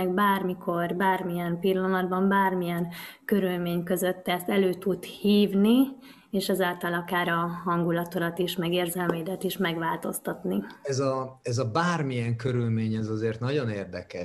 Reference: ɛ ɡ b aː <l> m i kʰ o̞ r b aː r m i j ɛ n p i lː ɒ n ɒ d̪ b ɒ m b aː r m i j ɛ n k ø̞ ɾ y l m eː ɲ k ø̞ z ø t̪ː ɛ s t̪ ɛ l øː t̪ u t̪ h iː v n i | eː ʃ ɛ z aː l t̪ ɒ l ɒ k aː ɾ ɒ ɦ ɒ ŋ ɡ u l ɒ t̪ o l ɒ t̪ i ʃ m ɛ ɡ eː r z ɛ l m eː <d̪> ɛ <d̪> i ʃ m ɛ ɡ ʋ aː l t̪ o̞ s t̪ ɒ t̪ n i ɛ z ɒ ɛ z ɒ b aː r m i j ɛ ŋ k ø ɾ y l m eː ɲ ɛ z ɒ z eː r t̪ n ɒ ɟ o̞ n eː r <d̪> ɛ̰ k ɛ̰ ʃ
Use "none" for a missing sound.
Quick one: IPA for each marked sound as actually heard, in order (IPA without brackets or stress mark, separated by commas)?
r, d̪, t̪, d̪